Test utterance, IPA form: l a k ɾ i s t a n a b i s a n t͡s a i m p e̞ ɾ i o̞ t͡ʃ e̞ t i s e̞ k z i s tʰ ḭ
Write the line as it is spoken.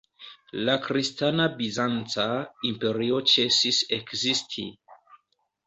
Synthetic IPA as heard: l a k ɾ i s t a n a b i z a n t͡s a i m p e̞ ɾ i o̞ t͡ʃ e̞ s i s e̞ k z i s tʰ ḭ